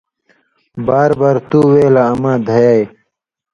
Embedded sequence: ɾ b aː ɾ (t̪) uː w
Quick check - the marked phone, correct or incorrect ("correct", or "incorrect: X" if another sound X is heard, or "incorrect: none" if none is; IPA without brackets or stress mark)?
correct